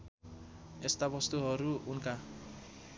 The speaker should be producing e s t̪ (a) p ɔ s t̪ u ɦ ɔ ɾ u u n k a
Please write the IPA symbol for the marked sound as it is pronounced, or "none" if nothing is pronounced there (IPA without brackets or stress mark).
a